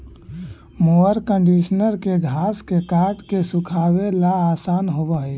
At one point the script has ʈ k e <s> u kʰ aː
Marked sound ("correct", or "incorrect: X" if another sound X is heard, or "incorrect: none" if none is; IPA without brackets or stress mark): correct